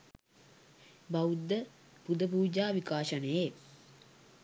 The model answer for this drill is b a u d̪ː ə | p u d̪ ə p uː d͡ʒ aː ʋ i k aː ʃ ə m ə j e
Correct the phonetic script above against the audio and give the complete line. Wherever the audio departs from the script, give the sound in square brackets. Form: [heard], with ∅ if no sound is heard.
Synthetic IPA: b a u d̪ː ə | p u d̪ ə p uː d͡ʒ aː ʋ i k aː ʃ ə [n] ə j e